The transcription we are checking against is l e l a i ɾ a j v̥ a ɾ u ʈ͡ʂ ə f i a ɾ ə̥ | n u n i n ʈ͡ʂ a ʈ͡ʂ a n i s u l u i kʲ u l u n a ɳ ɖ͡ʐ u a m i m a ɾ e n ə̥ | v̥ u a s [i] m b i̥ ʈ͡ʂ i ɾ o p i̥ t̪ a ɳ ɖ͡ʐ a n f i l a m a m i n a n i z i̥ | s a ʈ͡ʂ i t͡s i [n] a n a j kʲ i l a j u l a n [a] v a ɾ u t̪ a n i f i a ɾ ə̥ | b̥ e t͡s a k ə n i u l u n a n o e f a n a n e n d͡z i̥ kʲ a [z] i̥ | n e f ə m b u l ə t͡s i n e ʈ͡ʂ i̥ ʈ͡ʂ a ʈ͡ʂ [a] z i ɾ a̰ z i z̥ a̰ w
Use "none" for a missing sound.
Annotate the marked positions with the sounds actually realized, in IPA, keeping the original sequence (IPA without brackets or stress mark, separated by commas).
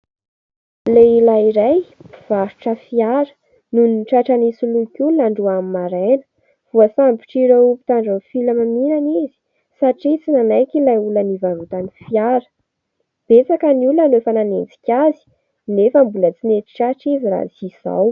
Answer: a, n, i, z, i